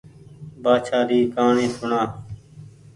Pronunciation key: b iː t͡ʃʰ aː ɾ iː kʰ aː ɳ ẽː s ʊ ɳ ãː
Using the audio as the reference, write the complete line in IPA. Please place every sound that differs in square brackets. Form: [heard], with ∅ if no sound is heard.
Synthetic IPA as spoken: b [aː] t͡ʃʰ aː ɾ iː [k] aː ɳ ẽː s ʊ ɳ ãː